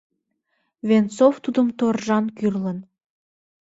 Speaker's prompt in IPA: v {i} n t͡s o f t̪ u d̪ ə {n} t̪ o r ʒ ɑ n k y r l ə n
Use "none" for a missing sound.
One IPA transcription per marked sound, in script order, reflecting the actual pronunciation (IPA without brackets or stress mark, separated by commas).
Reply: e, m